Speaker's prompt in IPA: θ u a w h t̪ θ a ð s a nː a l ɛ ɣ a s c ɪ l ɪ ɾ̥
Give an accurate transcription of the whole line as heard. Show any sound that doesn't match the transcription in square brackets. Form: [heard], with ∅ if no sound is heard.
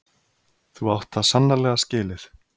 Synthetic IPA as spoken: θ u a w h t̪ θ a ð s a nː a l ɛ ɣ a s c [ɪː] l ɪ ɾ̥